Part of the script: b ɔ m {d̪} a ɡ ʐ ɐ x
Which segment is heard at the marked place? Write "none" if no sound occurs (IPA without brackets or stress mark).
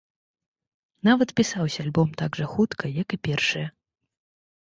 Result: t̪